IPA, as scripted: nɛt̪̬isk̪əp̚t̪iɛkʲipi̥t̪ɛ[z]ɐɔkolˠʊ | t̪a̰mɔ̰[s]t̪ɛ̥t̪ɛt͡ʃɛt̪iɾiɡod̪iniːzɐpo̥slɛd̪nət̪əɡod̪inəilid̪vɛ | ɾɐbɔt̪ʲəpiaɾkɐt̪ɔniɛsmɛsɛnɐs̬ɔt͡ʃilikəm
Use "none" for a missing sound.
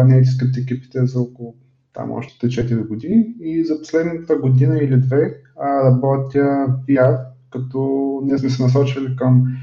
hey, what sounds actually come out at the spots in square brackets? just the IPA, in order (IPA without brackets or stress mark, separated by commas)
z, ʃ